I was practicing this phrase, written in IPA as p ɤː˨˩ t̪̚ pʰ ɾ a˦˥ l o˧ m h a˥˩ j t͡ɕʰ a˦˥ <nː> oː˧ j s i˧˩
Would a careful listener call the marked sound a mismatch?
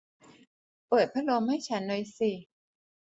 no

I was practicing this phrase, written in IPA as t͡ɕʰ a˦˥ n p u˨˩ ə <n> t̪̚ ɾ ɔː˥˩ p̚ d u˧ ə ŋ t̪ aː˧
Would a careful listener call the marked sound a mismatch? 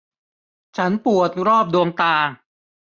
yes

